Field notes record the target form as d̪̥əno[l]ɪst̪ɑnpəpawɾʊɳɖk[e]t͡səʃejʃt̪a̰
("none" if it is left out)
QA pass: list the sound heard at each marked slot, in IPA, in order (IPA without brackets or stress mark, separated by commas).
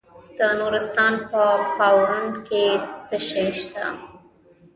ɾ, e